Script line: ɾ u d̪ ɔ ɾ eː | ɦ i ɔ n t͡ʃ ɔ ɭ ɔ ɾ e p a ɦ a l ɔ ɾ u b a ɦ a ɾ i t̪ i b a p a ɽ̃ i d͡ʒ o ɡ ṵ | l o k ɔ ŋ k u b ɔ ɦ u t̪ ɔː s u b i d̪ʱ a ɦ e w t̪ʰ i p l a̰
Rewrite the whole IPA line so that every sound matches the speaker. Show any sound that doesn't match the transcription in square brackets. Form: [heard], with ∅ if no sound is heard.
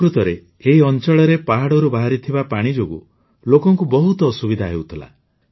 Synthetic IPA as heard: ɾ u [t̪] ɔ ɾ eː | ɦ i ɔ n t͡ʃ ɔ ɭ ɔ ɾ e p a ɦ a [ɽ] ɔ ɾ u b a ɦ a ɾ i [t̪ʰ] i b a p a ɽ̃ i d͡ʒ o ɡ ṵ | l o k ɔ ŋ k u b ɔ ɦ u t̪ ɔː s u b i d̪ʱ a ɦ e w t̪ʰ i [∅] l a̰